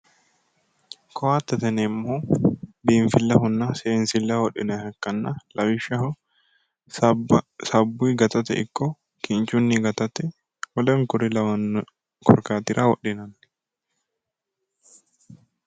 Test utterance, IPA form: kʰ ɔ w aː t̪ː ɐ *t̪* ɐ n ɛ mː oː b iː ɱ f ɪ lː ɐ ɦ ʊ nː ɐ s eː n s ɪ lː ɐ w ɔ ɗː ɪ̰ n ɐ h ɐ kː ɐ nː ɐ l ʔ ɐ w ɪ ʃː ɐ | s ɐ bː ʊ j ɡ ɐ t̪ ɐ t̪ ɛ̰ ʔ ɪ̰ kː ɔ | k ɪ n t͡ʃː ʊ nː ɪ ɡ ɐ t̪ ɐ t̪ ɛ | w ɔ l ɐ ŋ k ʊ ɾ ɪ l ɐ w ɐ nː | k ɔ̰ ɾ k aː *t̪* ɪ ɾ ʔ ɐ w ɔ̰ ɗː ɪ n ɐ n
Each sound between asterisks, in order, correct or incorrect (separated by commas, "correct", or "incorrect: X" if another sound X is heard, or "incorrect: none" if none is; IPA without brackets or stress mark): correct, correct